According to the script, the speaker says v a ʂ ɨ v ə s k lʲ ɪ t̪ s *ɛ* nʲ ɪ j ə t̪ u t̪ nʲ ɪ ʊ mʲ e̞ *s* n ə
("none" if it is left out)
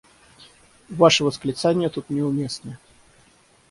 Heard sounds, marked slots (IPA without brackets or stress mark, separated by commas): a, s